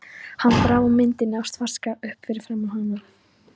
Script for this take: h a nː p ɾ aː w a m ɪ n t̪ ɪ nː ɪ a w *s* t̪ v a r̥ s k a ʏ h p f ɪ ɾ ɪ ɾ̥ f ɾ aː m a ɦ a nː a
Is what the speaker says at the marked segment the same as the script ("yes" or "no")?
yes